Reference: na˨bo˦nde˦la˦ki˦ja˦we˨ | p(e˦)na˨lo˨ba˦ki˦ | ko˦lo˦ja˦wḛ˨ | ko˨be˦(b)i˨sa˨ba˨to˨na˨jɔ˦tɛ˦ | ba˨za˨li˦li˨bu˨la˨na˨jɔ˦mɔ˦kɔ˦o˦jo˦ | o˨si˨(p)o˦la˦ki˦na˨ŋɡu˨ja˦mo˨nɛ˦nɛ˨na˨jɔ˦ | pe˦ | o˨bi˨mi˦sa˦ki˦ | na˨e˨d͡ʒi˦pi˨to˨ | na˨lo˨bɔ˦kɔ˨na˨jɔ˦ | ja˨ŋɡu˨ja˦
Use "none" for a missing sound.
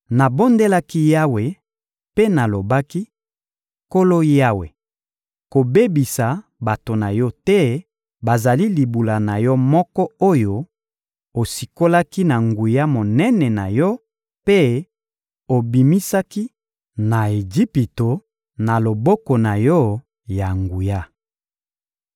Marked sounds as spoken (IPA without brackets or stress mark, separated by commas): e˦, b, k